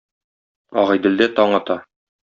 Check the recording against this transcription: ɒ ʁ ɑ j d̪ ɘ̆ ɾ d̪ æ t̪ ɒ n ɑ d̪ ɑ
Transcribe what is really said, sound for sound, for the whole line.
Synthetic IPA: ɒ ʁ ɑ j d̪ ɘ̆ l d̪ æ t̪ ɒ ɴ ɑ t̪ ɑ